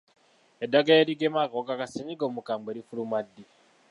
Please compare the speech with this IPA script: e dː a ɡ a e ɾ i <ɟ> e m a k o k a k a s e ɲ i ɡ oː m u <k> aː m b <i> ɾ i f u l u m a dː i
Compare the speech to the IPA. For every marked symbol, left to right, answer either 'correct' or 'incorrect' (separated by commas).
incorrect, correct, incorrect